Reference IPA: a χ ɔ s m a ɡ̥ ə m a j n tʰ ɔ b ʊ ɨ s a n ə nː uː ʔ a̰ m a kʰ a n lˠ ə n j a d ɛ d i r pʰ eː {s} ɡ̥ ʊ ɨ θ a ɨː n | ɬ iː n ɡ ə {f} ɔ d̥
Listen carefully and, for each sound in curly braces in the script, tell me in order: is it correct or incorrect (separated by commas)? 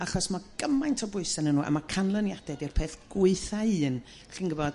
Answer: incorrect, incorrect